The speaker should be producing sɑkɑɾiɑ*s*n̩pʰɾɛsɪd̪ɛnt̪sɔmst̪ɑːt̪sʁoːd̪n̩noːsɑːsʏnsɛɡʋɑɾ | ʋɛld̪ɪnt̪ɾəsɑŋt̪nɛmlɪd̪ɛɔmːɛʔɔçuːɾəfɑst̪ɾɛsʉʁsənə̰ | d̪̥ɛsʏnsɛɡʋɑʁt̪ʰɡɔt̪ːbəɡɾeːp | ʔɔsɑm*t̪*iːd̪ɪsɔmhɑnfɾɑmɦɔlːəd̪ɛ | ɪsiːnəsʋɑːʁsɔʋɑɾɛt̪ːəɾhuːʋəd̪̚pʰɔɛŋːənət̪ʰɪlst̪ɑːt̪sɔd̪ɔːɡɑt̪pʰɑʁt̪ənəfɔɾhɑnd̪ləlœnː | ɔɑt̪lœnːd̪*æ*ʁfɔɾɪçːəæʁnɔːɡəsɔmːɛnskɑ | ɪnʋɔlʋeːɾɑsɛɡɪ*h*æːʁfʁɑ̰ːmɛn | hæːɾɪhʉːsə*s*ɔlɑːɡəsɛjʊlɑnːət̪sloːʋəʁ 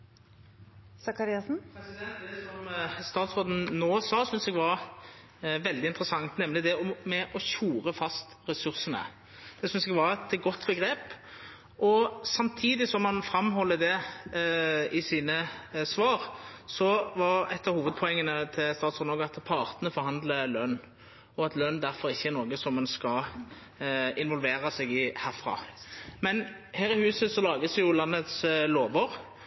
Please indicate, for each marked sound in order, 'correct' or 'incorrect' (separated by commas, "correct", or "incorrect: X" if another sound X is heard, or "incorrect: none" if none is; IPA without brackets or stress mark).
correct, incorrect: t̪ʰ, correct, correct, correct